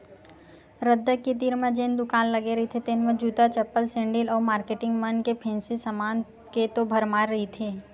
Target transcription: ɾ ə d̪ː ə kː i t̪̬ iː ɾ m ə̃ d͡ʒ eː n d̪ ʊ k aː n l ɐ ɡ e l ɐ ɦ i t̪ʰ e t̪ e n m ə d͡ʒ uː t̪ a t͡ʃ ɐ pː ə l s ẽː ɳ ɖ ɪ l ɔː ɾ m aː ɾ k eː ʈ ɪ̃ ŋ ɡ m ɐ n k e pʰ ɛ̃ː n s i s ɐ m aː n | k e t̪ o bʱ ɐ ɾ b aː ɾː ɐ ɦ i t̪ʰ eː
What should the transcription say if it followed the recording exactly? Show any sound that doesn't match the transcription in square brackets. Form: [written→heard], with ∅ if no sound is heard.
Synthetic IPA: ɾ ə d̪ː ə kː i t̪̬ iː ɾ m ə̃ d͡ʒ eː n d̪ ʊ k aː n l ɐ ɡ e [l→ɾ] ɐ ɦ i t̪ʰ e t̪ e n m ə d͡ʒ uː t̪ a t͡ʃ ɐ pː ə l s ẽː ɳ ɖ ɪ l ɔː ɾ m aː ɾ k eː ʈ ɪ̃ ŋ ɡ m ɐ n k e pʰ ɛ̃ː n s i s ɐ m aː n | k e t̪ o bʱ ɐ ɾ [b→m] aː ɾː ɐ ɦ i t̪ʰ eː